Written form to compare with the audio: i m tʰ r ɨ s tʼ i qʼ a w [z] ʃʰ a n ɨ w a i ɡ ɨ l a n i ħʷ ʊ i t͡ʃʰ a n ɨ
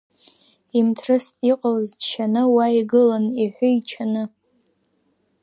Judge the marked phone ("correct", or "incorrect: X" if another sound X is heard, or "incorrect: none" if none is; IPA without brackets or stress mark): correct